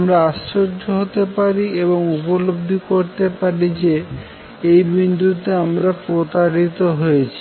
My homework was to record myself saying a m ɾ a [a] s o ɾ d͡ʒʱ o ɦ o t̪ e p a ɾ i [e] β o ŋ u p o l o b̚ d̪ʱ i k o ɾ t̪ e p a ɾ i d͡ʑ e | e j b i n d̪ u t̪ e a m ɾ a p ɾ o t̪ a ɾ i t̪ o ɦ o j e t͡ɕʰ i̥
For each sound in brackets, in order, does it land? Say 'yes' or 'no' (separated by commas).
yes, yes